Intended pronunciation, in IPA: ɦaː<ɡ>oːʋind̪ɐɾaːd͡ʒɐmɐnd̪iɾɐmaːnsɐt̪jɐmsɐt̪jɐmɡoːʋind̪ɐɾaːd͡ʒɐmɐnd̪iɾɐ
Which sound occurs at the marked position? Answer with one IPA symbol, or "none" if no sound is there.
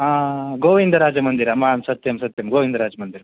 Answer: ɡ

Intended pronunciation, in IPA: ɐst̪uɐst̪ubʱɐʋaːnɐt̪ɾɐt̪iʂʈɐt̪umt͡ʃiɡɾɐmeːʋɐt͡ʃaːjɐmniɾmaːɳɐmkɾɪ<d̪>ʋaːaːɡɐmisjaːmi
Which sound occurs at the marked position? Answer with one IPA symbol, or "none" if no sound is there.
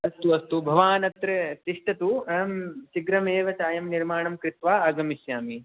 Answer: t̪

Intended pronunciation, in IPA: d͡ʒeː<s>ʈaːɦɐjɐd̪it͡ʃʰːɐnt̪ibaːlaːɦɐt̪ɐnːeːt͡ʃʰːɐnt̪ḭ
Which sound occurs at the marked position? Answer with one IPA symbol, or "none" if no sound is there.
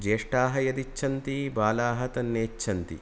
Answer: ʂ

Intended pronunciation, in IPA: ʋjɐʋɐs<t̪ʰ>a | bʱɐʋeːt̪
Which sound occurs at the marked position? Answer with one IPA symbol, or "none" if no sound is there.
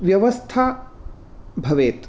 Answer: t̪ʰ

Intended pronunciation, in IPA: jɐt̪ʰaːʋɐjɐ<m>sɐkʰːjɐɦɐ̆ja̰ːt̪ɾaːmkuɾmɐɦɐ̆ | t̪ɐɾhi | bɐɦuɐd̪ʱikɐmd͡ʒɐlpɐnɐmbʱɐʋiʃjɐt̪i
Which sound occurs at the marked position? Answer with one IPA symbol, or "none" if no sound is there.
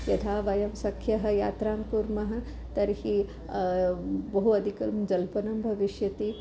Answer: m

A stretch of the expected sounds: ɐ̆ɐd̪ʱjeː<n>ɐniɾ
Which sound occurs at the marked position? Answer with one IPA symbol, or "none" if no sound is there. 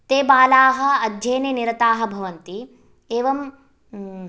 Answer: n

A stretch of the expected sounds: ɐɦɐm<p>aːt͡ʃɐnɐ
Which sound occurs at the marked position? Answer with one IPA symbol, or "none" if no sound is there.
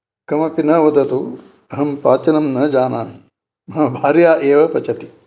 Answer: p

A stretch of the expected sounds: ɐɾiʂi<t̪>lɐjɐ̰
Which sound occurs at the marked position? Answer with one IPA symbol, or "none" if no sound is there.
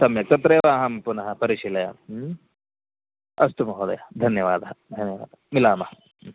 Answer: none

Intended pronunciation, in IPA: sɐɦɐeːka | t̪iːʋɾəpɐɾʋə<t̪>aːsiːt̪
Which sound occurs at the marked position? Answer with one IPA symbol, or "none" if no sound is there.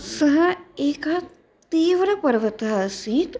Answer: t̪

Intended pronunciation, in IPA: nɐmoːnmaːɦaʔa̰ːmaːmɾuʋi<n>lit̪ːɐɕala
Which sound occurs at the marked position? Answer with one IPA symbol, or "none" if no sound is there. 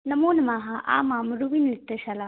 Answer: n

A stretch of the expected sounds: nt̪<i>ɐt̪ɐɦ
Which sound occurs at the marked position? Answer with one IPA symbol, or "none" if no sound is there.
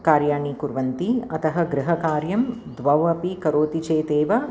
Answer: i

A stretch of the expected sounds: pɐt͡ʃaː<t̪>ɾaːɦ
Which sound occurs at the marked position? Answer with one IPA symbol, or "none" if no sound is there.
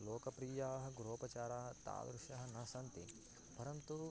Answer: none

